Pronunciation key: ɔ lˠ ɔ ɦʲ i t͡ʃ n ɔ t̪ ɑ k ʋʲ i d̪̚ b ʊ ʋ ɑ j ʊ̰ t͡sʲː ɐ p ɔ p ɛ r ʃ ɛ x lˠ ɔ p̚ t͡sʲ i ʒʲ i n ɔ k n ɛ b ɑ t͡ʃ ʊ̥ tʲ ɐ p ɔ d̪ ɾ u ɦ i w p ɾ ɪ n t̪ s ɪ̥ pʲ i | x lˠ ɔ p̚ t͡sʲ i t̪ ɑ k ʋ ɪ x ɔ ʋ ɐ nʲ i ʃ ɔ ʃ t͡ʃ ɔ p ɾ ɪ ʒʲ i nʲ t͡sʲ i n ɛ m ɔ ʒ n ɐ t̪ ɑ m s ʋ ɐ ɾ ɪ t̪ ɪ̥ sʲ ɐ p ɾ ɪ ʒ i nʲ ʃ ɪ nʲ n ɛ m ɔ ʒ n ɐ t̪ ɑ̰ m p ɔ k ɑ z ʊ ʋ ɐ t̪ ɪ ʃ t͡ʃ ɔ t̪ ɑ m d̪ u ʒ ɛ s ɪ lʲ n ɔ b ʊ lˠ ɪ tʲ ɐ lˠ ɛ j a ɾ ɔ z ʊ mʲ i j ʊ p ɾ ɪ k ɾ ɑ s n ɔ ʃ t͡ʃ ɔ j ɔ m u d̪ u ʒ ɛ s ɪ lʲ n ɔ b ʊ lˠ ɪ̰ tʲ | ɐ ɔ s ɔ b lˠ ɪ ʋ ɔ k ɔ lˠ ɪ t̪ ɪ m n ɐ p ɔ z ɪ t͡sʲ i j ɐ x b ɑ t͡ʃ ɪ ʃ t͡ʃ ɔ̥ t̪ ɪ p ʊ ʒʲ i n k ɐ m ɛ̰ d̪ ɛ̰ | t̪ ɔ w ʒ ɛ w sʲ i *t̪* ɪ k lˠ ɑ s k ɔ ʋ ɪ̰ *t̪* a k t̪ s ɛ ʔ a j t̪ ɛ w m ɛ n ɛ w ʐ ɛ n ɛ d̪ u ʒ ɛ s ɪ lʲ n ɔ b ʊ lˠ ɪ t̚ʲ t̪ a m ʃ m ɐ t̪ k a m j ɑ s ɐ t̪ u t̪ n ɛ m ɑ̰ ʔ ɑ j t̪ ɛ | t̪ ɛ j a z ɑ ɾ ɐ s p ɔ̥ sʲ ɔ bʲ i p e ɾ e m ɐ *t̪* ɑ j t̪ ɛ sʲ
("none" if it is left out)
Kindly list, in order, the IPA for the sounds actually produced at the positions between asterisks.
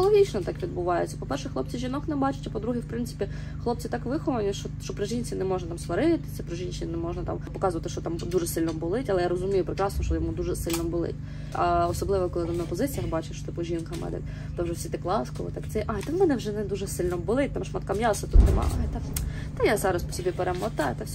t̪, t̪, t̪

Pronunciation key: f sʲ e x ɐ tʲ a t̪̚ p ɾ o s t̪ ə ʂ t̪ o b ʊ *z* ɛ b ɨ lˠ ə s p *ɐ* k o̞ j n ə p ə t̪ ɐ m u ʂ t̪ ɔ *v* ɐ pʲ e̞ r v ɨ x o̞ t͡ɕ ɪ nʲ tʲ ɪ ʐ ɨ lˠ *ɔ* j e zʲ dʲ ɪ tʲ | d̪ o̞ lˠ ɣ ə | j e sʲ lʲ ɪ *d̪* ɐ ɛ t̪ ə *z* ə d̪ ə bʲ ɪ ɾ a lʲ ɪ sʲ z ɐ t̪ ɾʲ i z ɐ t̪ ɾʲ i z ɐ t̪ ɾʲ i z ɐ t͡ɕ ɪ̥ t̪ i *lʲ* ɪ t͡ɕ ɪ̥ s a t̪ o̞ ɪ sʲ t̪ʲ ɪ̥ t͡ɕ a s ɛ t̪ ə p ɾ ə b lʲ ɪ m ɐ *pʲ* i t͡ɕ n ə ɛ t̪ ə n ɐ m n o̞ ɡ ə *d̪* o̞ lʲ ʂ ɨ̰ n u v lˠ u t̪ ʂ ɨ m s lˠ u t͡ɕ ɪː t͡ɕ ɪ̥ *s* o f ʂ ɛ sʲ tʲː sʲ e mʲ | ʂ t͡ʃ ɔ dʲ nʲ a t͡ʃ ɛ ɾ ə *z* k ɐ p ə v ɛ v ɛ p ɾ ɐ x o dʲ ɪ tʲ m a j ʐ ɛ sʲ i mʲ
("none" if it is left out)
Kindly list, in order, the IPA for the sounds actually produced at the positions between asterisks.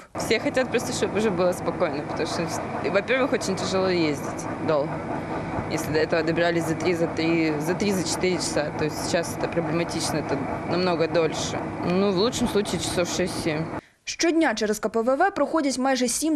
ʐ, ɐ, v, o, d̪, v, ɾʲ, tʲ, d̪, s, s

